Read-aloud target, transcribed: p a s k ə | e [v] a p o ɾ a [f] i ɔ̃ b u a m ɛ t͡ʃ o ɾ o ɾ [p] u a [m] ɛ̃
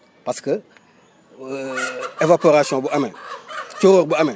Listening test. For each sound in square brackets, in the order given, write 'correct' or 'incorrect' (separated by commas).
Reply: correct, incorrect, incorrect, correct